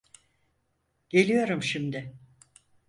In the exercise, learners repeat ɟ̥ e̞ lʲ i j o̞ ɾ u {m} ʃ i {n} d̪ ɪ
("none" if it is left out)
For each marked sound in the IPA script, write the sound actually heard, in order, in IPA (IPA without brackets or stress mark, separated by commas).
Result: m, m